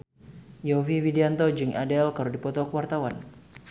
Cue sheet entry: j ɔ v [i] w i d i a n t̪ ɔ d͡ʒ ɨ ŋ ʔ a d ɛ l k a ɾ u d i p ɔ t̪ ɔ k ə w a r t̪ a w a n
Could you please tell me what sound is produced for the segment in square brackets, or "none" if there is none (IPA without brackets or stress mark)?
i